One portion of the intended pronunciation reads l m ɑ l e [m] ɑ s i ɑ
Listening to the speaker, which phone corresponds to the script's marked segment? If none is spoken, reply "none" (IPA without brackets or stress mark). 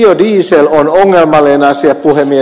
n